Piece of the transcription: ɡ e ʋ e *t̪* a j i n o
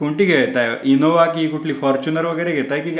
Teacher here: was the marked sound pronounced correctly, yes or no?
yes